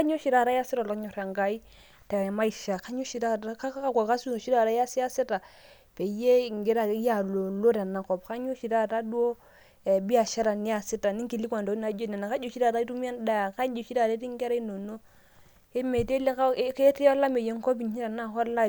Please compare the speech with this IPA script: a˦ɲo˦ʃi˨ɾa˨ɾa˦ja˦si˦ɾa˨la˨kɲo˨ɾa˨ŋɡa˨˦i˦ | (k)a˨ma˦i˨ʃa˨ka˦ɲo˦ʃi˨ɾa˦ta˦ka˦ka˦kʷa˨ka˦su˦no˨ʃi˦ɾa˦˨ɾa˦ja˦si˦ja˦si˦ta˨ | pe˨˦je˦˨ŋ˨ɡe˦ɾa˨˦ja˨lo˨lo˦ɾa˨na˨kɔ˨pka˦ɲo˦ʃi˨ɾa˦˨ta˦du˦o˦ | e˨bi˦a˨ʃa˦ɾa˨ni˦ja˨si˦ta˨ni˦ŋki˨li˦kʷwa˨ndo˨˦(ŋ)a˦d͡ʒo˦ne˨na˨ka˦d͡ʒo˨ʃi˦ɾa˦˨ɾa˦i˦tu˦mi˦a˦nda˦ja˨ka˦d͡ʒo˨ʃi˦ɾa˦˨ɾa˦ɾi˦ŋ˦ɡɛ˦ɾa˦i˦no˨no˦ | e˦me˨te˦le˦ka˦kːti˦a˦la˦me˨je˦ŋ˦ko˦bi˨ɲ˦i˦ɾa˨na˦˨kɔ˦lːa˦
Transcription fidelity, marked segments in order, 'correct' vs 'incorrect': incorrect, incorrect

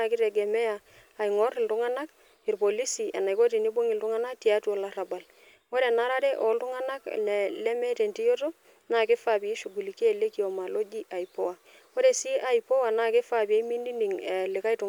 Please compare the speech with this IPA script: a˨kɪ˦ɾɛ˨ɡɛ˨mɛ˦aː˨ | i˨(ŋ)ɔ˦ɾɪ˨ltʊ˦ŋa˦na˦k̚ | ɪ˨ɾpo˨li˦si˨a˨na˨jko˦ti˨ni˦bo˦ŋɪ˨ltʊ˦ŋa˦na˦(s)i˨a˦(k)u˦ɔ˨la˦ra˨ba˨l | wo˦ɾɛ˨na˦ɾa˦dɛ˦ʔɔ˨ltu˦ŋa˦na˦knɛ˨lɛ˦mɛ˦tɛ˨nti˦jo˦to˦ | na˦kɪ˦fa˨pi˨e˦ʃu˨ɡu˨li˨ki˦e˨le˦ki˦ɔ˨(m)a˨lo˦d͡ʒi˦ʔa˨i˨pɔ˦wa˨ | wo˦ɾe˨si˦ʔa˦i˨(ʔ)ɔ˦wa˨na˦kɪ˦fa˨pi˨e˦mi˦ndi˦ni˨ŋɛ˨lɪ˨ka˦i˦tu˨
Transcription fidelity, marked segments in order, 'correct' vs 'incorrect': correct, incorrect, incorrect, correct, incorrect

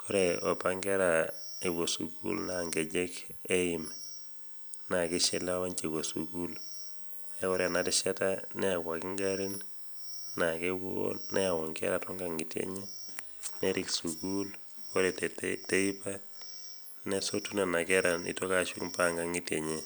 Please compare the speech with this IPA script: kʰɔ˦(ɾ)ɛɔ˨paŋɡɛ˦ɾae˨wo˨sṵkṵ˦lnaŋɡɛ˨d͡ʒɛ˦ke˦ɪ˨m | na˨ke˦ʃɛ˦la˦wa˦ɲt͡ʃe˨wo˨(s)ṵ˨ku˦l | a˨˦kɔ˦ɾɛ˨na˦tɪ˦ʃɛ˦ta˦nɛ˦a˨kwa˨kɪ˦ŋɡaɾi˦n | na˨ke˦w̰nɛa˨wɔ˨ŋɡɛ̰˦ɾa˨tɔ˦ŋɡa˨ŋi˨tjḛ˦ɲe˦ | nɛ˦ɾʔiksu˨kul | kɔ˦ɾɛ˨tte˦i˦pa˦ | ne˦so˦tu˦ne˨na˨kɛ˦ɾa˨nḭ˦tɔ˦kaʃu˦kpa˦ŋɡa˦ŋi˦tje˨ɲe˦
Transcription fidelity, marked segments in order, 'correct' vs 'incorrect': correct, correct

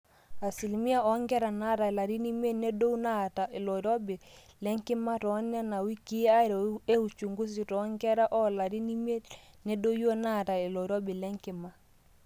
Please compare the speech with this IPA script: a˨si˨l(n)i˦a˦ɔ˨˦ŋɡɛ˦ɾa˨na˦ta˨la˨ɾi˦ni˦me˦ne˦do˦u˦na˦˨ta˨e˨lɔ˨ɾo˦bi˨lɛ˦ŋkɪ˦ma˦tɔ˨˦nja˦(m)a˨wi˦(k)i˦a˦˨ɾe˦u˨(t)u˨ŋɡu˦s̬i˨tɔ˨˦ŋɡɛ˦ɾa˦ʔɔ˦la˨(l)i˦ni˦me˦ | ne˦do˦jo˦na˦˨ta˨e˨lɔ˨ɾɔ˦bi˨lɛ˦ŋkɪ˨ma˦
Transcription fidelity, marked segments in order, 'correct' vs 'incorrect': incorrect, incorrect, correct, incorrect, incorrect

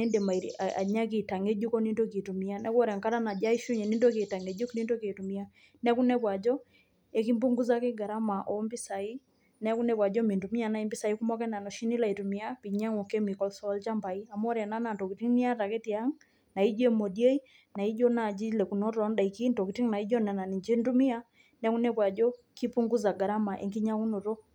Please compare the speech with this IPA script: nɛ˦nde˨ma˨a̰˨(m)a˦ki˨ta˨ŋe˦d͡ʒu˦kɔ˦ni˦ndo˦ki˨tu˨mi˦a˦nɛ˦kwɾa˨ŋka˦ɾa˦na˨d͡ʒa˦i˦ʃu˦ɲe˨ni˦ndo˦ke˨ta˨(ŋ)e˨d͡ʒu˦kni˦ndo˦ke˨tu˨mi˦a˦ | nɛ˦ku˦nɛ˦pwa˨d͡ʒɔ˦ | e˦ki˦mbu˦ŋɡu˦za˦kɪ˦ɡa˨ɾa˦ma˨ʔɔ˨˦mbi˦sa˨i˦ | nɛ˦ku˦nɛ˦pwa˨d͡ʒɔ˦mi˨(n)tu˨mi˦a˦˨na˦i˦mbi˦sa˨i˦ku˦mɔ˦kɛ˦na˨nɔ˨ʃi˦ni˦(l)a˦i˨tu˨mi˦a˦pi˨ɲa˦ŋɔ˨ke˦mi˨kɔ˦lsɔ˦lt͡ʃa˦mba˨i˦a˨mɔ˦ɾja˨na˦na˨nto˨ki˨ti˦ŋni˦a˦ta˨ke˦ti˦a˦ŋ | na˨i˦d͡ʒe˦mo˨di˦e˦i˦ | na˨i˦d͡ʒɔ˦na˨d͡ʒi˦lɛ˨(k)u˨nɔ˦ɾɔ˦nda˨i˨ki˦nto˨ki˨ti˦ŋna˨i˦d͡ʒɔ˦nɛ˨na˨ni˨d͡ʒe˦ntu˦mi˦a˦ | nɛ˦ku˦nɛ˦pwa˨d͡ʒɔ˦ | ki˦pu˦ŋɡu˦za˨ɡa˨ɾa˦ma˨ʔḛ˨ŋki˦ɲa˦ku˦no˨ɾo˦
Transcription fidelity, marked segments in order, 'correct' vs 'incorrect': incorrect, correct, correct, correct, correct

